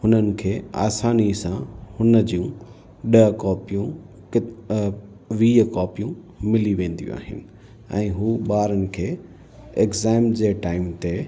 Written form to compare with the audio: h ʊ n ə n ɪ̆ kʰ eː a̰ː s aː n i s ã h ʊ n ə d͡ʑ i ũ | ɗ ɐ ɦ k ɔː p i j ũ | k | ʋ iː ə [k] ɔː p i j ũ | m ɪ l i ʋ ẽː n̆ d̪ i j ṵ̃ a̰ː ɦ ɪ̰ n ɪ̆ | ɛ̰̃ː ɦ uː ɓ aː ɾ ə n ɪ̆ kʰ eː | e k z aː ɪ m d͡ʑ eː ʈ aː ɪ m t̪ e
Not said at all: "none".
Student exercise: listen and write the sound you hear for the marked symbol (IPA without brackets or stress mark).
k